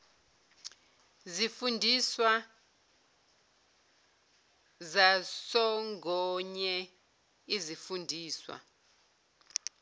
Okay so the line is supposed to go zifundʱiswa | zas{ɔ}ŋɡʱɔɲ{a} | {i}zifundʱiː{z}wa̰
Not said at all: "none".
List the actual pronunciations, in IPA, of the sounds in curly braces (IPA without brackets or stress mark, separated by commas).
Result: ɔ, ɛ, i, s